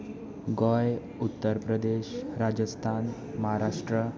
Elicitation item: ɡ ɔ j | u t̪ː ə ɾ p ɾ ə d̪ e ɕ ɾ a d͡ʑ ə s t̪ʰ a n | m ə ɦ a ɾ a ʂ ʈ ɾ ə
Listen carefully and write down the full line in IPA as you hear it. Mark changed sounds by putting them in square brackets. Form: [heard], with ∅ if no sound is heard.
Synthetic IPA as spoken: ɡ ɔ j | u t̪ː ə ɾ p ɾ ə d̪ e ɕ ɾ a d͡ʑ ə s t̪ʰ a n | m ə ɦ a ɾ a ʂ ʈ ɾ ə